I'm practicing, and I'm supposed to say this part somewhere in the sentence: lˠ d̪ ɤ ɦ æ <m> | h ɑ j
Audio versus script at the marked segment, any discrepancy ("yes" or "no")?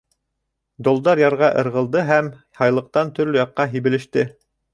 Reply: no